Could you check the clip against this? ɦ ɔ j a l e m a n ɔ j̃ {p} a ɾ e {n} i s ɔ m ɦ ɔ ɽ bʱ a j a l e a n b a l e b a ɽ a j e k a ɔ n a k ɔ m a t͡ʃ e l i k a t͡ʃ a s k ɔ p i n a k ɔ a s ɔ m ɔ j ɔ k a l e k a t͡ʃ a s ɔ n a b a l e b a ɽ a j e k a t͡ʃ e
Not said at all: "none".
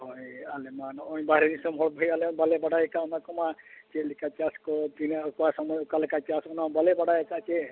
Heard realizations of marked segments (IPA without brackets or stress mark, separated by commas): b, n